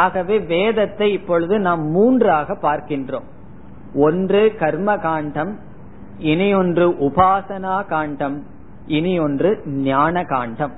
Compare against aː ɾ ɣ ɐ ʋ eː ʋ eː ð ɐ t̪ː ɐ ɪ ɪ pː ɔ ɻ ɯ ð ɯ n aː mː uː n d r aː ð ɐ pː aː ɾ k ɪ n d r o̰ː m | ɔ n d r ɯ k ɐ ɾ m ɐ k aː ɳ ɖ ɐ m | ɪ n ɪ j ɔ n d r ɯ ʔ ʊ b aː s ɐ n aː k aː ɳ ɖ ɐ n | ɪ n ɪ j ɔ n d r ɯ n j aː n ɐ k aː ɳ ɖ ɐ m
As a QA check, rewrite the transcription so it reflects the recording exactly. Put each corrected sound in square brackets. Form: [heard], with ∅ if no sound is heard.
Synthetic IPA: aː [∅] ɣ ɐ ʋ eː ʋ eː ð ɐ t̪ː ɐ ɪ ɪ pː ɔ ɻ ɯ ð ɯ n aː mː uː n d r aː [ɣ] ɐ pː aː ɾ k ɪ n d r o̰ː m | ɔ n d r ɯ k ɐ ɾ m ɐ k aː ɳ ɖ ɐ m | ɪ n ɪ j ɔ n d r ɯ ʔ ʊ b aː s ɐ n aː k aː ɳ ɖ ɐ [m] | ɪ n ɪ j ɔ n d r ɯ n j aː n ɐ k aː ɳ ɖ ɐ m